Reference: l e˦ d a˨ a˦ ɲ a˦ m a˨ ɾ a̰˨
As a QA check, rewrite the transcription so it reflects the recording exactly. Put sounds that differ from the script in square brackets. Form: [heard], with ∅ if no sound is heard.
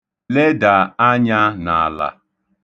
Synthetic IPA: l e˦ d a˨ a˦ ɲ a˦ [n] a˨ [l] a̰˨